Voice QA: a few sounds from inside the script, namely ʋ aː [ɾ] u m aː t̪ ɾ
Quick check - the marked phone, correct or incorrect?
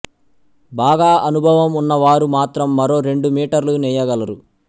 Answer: correct